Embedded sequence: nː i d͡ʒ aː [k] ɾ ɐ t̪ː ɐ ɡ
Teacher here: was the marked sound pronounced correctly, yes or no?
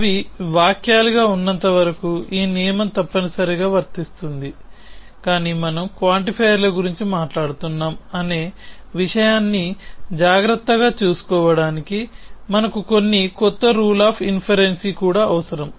no